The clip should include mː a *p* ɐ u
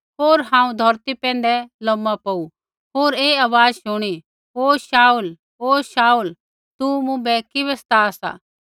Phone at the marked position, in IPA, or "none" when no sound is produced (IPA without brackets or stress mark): p